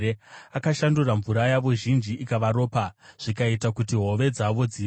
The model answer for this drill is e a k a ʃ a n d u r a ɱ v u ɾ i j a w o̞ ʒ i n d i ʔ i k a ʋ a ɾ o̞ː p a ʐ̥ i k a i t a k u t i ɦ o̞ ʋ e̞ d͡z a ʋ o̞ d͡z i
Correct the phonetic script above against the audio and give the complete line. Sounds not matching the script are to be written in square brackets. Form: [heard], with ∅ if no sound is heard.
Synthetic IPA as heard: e a k a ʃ a n d u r a ɱ v u ɾ [a] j a [ʋ] o̞ ʒ i n [d͡ʒ] i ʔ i k a ʋ a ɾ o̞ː p a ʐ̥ i k a i t a k u t i ɦ o̞ ʋ e̞ d͡z a ʋ o̞ d͡z i